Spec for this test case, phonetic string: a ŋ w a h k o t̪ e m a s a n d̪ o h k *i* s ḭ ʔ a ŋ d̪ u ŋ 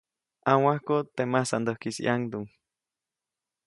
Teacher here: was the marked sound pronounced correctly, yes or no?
yes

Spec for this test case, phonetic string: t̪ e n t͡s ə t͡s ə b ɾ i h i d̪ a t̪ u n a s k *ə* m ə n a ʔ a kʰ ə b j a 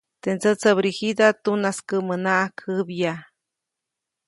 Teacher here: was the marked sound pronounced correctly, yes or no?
yes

